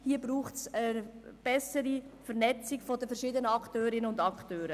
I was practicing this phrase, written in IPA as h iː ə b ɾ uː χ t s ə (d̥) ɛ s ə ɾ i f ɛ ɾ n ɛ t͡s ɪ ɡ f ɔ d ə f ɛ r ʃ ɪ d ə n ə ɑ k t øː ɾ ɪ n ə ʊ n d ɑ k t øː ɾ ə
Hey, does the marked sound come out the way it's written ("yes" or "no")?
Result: no